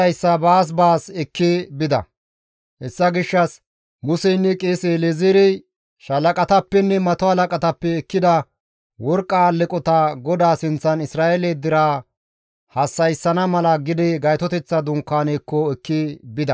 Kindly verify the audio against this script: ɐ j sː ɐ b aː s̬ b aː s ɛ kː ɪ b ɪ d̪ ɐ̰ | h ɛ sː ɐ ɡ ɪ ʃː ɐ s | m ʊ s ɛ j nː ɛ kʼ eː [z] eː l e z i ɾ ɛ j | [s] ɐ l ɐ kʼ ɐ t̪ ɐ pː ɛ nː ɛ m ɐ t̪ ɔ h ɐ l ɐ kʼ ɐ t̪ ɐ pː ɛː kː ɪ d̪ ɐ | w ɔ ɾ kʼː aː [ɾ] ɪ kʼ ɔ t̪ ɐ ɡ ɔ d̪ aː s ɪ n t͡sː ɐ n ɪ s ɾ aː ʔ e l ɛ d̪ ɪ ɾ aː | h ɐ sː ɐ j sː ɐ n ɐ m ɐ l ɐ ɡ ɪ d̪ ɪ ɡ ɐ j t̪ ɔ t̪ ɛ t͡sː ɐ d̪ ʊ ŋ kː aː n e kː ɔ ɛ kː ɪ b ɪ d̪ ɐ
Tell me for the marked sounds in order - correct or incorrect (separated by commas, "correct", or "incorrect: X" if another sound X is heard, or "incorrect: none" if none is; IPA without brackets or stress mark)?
incorrect: s, incorrect: ʃ, incorrect: l